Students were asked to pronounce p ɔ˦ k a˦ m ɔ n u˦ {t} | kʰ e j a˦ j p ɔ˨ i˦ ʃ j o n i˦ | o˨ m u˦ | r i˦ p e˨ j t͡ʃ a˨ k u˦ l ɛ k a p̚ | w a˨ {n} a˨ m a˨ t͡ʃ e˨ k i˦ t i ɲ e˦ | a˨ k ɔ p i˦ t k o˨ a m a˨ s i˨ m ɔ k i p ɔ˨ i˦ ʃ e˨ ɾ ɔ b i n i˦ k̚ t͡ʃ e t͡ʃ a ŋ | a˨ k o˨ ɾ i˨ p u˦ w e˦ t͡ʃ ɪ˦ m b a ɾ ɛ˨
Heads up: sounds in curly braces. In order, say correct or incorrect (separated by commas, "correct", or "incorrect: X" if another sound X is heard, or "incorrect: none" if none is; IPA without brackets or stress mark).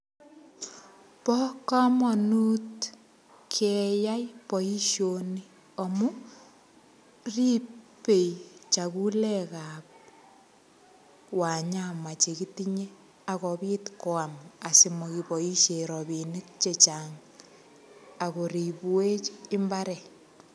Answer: correct, incorrect: ɲ